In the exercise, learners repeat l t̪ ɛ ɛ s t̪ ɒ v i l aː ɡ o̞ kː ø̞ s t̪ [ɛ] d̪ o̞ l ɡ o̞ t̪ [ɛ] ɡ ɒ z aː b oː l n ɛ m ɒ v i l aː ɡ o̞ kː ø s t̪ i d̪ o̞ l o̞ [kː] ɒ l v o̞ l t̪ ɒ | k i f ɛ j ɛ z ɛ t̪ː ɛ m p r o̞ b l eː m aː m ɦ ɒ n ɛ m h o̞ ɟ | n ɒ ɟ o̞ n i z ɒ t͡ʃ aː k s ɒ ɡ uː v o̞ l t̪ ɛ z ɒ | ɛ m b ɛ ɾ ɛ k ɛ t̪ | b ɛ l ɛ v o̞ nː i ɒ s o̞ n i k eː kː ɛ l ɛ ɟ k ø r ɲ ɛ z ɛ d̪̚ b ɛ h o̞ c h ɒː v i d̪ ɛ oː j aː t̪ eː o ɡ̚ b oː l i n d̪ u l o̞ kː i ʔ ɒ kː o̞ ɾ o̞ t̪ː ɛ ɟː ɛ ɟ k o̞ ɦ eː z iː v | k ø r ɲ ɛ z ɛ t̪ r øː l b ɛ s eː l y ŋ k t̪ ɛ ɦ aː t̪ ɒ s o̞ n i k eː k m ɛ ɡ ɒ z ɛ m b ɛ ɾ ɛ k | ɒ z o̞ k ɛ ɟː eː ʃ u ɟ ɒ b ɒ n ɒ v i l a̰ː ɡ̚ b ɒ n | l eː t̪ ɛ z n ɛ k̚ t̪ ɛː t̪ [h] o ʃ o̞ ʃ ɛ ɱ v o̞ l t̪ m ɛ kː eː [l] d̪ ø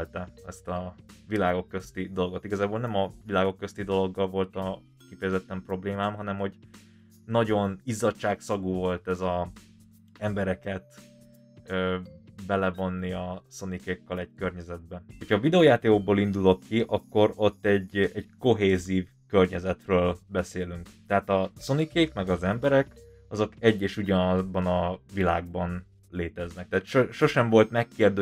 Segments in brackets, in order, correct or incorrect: incorrect, incorrect, incorrect, incorrect, incorrect

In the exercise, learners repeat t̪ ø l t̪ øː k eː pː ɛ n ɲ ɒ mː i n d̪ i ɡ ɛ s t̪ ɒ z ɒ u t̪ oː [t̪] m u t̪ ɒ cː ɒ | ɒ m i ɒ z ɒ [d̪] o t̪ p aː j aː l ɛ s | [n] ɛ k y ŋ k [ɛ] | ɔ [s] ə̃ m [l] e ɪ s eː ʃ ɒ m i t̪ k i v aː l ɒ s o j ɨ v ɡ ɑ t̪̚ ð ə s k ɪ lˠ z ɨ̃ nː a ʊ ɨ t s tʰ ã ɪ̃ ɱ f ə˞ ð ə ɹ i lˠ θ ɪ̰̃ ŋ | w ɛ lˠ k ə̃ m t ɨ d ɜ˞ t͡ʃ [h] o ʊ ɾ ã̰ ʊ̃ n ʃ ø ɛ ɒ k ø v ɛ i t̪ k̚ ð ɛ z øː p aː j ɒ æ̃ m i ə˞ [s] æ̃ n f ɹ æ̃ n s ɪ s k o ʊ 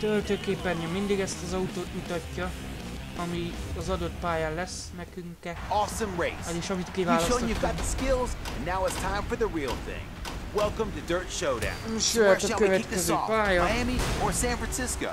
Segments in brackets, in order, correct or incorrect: correct, correct, correct, correct, correct, incorrect, incorrect, correct

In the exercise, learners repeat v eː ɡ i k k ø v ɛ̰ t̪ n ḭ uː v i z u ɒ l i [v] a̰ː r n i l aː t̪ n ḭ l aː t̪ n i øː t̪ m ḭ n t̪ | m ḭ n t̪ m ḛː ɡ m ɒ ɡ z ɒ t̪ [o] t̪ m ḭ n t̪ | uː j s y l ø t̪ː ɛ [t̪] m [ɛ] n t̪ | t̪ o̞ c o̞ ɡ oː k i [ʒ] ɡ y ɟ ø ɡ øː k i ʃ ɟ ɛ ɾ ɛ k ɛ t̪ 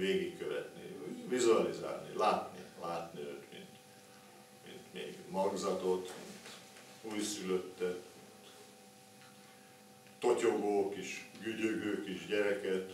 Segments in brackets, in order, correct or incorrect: incorrect, correct, correct, incorrect, incorrect

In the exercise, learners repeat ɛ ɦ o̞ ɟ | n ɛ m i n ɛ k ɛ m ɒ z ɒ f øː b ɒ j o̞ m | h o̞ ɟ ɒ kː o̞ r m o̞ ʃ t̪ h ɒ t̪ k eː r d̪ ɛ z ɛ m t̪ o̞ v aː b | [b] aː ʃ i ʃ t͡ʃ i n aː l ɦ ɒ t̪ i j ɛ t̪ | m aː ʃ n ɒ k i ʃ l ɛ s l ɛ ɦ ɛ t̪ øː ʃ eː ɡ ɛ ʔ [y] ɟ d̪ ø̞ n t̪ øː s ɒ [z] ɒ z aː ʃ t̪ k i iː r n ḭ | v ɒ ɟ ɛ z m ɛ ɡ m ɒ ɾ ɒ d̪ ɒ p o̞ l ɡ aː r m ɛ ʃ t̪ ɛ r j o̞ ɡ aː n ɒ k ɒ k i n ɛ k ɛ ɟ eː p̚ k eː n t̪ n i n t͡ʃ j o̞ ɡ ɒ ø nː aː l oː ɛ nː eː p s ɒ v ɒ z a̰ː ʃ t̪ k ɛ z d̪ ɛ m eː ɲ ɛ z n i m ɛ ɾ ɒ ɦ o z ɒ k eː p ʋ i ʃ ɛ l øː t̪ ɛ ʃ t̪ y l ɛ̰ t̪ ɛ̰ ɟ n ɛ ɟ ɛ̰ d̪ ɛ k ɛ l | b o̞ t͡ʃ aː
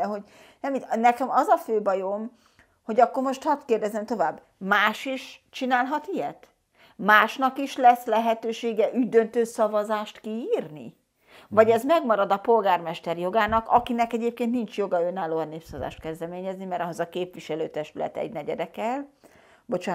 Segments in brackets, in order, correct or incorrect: incorrect, correct, incorrect

